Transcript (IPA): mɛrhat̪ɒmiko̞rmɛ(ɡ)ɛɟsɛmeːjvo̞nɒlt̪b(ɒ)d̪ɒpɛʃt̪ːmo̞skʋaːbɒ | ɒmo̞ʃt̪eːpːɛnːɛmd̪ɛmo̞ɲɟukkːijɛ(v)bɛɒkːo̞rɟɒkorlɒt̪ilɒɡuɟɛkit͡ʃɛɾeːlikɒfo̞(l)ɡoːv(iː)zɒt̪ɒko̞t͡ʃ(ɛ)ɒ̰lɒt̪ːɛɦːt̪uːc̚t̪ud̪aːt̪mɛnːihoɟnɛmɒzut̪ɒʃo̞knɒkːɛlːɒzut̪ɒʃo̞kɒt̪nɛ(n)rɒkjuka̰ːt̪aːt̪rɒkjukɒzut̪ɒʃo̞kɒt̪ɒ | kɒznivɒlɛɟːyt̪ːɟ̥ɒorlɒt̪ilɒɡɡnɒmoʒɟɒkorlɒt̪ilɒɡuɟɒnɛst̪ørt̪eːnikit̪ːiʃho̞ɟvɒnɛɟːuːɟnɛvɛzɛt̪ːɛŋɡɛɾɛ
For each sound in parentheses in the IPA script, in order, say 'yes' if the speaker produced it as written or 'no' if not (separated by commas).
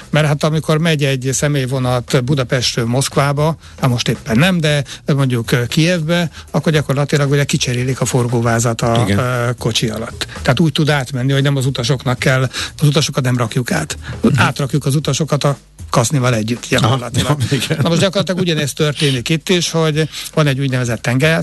no, no, yes, no, no, no, no